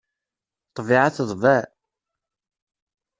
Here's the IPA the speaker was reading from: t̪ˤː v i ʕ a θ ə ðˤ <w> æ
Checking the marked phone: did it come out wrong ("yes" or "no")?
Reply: yes